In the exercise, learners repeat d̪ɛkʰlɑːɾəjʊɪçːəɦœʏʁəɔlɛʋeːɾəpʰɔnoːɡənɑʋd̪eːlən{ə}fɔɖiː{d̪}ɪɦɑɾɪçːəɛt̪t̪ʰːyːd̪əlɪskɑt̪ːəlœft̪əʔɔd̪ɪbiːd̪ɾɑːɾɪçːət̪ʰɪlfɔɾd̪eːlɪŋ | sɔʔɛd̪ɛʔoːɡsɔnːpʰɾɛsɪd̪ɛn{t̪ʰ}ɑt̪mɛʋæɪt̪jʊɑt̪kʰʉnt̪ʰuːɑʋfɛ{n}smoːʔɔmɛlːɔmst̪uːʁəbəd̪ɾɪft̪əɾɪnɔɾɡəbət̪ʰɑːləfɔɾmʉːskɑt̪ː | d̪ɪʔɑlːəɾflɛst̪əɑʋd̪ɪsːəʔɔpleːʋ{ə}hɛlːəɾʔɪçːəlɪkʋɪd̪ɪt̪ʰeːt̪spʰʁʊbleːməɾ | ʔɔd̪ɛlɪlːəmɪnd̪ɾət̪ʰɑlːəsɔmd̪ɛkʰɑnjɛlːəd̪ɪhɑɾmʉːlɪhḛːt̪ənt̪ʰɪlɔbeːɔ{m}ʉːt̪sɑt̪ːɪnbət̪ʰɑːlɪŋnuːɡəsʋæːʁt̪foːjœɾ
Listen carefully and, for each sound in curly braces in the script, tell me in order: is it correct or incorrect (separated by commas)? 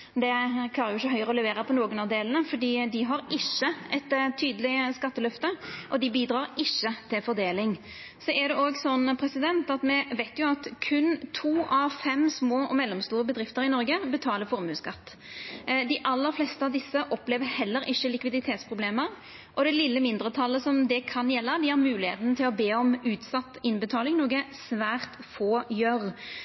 correct, correct, incorrect, incorrect, correct, correct